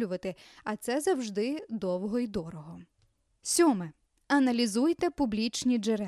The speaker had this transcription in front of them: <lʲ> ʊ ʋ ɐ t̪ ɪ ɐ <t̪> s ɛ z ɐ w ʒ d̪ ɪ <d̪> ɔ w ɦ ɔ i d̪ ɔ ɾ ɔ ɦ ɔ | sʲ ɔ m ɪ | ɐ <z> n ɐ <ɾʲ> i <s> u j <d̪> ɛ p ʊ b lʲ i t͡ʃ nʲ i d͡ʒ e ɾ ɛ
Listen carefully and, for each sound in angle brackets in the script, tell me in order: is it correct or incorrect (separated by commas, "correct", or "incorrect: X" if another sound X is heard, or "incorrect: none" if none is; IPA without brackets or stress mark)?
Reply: correct, correct, correct, incorrect: none, incorrect: lʲ, incorrect: z, incorrect: t̪